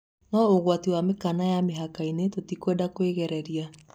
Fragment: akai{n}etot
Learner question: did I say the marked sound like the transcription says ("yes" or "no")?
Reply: yes